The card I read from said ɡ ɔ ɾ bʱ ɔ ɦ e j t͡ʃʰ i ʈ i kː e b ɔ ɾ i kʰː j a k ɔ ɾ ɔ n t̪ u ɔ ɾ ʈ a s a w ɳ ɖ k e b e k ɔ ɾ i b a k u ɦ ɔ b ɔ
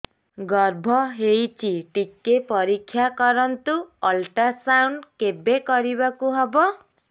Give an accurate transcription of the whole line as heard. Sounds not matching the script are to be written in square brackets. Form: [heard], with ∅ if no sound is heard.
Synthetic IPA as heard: ɡ ɔ ɾ bʱ ɔ ɦ e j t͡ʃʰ i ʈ i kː e [p] ɔ ɾ i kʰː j a k ɔ ɾ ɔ n t̪ u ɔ [l] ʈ a s a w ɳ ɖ k e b e k ɔ ɾ i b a k u ɦ ɔ b ɔ